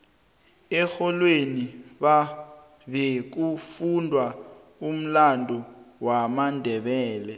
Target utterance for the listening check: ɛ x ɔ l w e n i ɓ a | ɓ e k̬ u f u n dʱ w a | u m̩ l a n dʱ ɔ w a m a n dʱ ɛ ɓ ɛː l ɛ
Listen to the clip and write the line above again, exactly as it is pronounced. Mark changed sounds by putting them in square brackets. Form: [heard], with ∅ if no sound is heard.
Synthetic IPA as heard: ɛ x ɔ l w e n i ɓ a | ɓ e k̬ u f u n dʱ w a | u m̩ l a n dʱ ɔ w a m a n dʱ ɛ ɓ ɛː l ɛ